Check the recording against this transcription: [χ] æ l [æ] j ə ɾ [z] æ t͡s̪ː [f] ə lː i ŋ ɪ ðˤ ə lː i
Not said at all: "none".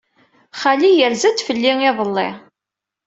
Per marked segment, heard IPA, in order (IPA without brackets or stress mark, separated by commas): χ, i, z, f